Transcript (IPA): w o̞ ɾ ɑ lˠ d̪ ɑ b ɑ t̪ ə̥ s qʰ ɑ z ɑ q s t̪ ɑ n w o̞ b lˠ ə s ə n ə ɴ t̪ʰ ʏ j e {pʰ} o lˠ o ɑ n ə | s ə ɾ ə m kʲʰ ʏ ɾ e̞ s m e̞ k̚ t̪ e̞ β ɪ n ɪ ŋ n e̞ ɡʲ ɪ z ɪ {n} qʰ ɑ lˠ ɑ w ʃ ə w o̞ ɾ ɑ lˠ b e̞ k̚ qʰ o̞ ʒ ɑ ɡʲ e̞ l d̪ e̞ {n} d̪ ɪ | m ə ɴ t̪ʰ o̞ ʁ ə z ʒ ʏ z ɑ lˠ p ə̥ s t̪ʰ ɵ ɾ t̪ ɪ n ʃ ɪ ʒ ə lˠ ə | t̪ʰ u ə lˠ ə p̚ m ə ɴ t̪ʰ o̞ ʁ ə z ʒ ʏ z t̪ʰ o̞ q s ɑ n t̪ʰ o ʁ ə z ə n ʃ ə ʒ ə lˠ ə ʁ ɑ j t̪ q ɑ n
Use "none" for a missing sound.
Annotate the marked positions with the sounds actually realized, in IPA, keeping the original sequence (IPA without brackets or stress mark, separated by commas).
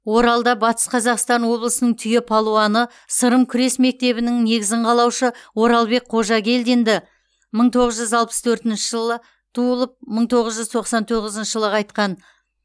pʰ, ɴ, n